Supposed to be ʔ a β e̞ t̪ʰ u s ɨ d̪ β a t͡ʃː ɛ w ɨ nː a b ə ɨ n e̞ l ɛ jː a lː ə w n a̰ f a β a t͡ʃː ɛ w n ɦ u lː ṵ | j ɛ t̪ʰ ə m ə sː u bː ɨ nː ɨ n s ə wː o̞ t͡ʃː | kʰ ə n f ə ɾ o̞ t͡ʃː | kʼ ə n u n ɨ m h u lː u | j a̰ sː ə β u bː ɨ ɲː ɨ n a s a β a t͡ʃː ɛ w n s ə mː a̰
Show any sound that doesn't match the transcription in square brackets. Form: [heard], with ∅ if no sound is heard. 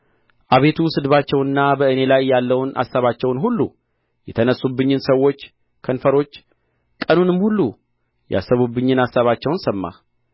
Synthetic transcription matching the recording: ʔ a β e̞ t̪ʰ u s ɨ d̪ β a t͡ʃː ɛ w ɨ nː a b ə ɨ n e̞ l [a] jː a lː ə w n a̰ [s] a β a t͡ʃː ɛ w n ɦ u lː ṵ | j ɛ t̪ʰ ə [n] ə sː u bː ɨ [ɲː] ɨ n s ə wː o̞ t͡ʃː | kʰ ə n f ə ɾ o̞ t͡ʃː | kʼ ə n u n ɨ m h u lː u | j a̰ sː ə β u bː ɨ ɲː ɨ n a s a β a t͡ʃː ɛ w n s ə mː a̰